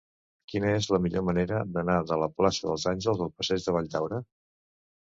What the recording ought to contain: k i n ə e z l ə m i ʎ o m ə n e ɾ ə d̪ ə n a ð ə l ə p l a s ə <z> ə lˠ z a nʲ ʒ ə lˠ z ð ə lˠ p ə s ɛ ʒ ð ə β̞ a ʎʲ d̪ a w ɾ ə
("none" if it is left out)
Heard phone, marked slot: ð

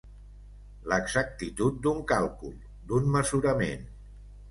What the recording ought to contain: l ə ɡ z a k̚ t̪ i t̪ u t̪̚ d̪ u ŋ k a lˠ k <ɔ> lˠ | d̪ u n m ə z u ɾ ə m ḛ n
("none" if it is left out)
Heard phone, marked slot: u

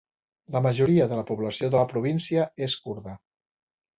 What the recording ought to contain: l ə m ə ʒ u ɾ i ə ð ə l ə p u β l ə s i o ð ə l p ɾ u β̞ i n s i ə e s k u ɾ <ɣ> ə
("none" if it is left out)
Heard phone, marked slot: ð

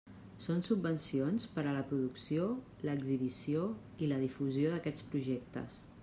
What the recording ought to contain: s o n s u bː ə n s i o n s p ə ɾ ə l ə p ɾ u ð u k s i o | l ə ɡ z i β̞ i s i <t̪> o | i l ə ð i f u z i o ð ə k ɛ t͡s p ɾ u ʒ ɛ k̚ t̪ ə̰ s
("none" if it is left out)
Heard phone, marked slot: none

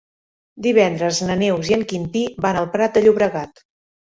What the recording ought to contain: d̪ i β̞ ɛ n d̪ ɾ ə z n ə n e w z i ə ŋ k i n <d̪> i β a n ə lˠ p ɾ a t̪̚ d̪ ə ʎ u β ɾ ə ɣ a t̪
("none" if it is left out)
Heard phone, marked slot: t̪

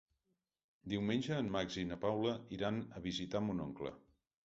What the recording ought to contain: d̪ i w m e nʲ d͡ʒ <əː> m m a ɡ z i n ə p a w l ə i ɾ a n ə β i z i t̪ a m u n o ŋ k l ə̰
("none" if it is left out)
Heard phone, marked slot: əː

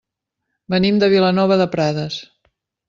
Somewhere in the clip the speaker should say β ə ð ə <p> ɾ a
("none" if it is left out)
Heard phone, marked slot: p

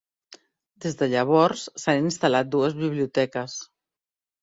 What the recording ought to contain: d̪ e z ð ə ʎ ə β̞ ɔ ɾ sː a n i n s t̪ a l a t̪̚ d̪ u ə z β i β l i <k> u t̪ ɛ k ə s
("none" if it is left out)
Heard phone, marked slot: none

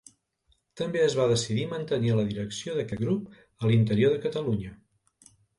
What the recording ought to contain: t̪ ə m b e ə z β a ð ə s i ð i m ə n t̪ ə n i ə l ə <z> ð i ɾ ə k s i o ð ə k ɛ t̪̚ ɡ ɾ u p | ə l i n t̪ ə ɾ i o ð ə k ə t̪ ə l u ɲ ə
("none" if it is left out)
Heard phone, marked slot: none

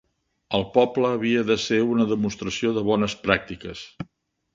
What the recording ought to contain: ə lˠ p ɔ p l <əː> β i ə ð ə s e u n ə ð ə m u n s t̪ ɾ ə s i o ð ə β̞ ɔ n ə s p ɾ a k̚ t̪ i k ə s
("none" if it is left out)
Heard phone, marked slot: əː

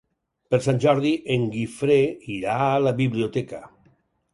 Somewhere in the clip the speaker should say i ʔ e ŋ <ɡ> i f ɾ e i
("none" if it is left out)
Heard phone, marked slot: ɡ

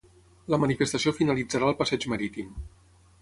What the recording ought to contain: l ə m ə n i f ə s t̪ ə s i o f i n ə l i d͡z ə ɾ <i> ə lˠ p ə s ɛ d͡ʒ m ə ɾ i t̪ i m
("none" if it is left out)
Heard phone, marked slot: a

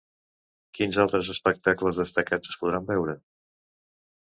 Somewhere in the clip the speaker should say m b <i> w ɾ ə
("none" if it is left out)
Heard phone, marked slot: ɛ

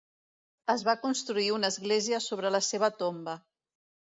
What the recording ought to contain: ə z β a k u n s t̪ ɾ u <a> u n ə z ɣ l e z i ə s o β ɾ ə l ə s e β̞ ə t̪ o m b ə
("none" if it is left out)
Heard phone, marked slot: i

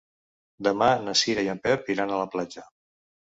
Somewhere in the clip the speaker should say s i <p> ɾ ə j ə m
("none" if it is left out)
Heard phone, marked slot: none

